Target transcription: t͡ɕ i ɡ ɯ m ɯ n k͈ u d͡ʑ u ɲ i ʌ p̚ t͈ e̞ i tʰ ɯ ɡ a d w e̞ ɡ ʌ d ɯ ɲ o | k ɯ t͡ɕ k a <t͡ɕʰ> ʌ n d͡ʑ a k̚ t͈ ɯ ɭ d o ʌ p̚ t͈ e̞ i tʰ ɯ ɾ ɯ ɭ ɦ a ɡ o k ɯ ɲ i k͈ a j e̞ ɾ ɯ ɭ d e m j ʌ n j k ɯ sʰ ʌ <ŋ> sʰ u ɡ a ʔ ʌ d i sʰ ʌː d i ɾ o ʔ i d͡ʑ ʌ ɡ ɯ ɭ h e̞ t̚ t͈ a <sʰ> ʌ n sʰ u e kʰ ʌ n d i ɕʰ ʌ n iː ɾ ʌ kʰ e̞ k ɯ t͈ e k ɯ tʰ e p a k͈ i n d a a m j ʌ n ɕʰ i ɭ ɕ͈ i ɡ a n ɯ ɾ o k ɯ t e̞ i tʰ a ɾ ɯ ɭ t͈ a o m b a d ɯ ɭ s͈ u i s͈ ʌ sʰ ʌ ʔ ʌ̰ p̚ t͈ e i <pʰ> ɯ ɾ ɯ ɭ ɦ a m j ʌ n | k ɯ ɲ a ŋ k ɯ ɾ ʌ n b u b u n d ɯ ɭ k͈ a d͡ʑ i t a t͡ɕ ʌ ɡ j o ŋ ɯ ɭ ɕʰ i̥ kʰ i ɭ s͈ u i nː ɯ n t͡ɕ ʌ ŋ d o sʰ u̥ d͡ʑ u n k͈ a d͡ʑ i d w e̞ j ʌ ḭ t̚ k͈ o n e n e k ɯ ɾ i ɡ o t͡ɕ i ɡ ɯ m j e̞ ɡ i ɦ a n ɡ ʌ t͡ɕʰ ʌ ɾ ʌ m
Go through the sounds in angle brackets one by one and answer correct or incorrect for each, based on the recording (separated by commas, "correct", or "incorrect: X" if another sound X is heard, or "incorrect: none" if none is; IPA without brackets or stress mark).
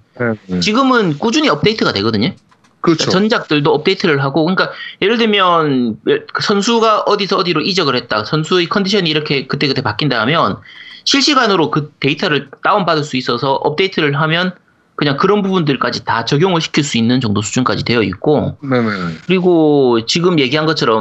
incorrect: t͡ɕ, incorrect: n, correct, incorrect: tʰ